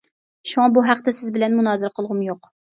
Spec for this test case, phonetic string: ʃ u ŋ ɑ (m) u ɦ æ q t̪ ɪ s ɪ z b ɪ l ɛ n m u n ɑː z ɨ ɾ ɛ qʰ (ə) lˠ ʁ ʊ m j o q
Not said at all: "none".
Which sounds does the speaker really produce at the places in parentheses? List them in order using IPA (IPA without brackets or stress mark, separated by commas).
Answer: b, ə